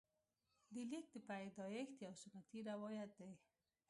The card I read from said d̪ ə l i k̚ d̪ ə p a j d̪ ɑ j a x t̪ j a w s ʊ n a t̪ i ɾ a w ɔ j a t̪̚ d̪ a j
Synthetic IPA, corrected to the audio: d̪ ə l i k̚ d̪ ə p a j d̪ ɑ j e x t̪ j a w s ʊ n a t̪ i ɾ a w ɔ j a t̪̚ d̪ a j